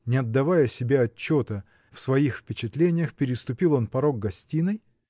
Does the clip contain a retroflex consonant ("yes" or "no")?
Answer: no